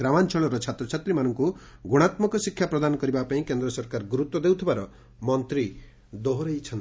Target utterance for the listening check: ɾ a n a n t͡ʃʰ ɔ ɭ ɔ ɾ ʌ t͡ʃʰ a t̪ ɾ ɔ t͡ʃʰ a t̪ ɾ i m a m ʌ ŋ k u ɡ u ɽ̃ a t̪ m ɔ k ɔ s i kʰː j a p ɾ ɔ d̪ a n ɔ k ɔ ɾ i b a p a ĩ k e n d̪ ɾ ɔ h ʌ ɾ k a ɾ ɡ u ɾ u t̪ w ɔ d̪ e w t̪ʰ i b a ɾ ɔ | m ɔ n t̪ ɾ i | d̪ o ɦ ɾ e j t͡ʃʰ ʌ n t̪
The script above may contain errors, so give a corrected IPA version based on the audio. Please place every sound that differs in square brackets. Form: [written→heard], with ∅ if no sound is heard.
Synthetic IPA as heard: ɾ a [n→m] a n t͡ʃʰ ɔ ɭ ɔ ɾ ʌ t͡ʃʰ a t̪ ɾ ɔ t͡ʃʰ a t̪ ɾ i m a [m→n] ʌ ŋ k u ɡ u ɽ̃ a t̪ m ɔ k ɔ s i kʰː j a p ɾ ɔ d̪ a n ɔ k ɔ ɾ i b a p a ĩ k e n d̪ ɾ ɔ [h→s] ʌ ɾ k a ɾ ɡ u ɾ u t̪ w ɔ d̪ e w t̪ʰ i b a ɾ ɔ | m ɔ n t̪ ɾ i | d̪ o ɦ ɾ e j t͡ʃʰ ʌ n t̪